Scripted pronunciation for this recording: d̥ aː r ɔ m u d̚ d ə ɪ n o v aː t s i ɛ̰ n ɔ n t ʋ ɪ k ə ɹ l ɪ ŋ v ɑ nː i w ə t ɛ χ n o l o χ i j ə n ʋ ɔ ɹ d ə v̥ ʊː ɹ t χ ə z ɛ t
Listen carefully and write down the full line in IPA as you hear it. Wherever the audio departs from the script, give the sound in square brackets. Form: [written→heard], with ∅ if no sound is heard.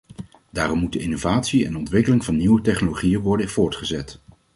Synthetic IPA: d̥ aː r ɔ m u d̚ d ə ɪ n o v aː t s i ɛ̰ n ɔ n t ʋ ɪ k ə [ɹ→∅] l ɪ ŋ v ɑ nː i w ə t ɛ χ n o l o χ i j ə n ʋ ɔ ɹ d ə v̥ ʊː ɹ t χ ə z ɛ t